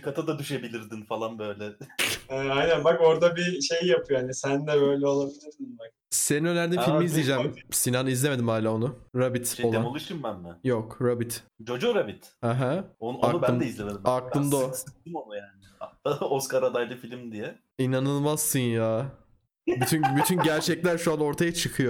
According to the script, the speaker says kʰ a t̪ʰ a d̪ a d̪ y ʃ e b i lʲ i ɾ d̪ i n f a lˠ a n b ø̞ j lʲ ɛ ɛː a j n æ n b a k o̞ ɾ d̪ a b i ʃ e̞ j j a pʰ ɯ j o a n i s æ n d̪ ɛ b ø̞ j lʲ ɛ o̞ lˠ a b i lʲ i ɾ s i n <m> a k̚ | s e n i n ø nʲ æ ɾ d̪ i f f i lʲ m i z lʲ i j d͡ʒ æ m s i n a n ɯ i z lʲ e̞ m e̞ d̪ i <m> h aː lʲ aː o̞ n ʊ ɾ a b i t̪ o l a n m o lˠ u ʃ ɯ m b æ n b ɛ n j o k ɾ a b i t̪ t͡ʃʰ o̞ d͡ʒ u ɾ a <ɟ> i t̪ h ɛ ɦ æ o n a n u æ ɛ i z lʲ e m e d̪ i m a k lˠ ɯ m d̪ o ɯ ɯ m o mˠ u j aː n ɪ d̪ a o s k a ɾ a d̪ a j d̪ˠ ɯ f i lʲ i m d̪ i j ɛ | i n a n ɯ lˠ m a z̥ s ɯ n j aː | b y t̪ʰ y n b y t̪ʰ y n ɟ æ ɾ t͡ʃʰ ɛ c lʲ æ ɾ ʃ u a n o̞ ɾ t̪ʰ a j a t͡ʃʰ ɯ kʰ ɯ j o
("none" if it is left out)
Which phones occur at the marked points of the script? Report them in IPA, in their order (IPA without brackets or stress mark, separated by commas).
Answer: b, m, b